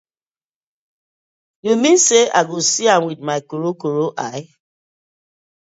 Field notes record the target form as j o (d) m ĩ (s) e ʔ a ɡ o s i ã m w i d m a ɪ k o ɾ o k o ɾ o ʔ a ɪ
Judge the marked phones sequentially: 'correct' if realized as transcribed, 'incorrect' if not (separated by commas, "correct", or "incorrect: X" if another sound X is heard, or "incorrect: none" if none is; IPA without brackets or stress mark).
incorrect: none, correct